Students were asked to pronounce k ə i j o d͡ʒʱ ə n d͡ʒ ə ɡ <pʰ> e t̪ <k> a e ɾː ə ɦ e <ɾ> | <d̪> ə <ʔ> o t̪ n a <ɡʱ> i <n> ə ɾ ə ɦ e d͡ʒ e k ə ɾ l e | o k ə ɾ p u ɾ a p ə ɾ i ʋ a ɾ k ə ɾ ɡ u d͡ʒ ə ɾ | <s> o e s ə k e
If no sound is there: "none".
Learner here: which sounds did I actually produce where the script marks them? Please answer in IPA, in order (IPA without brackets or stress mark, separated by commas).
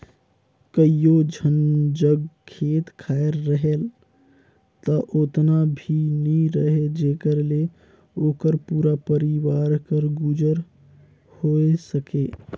kʰ, kʰ, l, t̪, ʔ, bʱ, n, h